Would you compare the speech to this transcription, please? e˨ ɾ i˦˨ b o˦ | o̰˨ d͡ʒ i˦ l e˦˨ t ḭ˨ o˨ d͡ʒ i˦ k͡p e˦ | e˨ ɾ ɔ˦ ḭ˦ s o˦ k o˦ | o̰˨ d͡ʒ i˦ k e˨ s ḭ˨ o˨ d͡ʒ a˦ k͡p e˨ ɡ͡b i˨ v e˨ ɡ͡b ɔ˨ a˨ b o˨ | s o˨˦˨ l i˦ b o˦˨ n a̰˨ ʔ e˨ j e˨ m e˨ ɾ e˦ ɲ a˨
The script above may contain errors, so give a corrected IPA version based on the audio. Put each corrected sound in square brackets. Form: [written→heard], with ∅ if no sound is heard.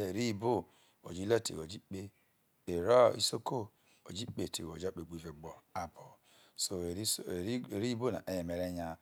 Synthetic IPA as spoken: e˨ ɾ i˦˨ b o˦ | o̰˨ d͡ʒ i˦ l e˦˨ t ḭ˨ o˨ d͡ʒ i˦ k͡p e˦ | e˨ ɾ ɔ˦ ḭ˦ s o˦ k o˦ | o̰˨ d͡ʒ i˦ [k→k͡p] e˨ [s→t] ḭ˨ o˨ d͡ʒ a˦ k͡p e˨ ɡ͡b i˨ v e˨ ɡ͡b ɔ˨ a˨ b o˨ | s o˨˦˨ [l→ɾ] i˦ b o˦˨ n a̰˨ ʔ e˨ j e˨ m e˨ ɾ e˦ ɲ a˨